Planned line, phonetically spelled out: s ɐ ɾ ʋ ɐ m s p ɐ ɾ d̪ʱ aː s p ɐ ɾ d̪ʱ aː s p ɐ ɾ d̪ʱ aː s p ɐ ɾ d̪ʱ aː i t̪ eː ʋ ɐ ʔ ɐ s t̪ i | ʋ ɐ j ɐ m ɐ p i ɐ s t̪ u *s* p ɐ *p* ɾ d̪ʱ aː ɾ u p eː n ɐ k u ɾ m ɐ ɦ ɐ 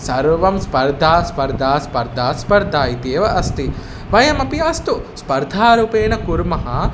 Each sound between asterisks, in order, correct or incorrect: correct, incorrect: none

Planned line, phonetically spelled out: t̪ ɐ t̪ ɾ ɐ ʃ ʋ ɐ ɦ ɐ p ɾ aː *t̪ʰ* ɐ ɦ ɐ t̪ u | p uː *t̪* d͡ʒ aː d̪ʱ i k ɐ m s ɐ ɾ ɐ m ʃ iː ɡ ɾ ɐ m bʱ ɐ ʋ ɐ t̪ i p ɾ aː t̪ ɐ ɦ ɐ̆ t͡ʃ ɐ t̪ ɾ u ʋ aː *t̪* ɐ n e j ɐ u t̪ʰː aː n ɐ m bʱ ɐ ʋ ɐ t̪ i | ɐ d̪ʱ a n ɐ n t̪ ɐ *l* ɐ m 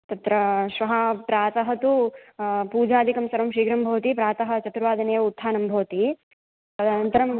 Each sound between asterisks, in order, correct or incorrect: incorrect: t̪, incorrect: none, incorrect: d̪, incorrect: ɾ

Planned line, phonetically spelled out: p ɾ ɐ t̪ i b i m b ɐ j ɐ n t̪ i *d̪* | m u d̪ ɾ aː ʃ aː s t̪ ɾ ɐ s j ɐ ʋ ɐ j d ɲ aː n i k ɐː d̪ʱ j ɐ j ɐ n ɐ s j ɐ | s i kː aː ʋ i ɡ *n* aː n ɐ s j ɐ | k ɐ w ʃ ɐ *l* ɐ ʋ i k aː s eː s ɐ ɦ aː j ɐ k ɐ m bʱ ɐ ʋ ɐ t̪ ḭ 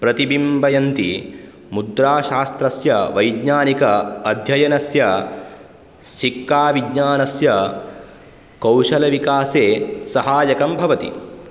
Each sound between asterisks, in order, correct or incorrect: incorrect: none, incorrect: ɲ, correct

